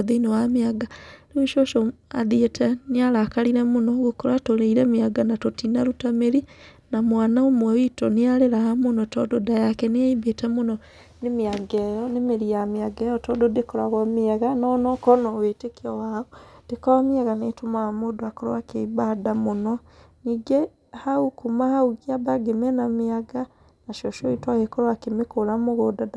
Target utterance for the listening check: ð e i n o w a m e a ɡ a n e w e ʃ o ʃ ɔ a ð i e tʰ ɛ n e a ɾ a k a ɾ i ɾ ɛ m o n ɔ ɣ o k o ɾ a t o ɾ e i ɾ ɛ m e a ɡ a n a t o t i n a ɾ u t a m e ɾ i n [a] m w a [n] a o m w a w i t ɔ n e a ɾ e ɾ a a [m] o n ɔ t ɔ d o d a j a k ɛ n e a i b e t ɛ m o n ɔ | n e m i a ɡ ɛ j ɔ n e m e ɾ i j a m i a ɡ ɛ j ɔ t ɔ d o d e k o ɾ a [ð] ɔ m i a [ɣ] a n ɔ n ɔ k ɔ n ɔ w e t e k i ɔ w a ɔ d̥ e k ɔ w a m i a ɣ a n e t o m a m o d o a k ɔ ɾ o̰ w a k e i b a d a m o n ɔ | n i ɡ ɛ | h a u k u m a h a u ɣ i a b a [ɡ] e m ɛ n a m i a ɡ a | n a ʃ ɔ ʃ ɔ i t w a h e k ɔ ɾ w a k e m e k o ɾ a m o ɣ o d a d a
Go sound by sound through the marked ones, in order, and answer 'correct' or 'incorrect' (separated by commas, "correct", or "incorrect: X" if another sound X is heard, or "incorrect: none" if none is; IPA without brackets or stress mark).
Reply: correct, correct, correct, incorrect: ɣ, correct, correct